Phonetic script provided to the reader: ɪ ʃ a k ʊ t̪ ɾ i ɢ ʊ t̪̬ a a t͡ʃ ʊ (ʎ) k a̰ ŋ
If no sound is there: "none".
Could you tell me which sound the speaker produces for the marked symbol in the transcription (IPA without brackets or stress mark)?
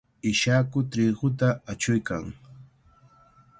j